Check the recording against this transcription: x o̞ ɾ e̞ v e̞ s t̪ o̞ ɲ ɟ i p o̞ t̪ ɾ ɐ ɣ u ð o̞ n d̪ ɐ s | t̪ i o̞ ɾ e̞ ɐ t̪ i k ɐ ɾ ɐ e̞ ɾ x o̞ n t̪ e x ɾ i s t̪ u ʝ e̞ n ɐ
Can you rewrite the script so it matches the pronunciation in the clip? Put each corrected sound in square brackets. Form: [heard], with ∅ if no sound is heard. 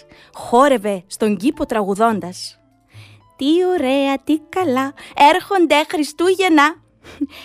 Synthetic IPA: x o̞ ɾ e̞ v e̞ s t̪ o̞ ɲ ɟ i p o̞ t̪ ɾ ɐ ɣ u ð o̞ n d̪ ɐ s | t̪ i o̞ ɾ e̞ ɐ t̪ i k ɐ [l] ɐ e̞ ɾ x o̞ n [d̪] e x ɾ i s t̪ u ʝ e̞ n ɐ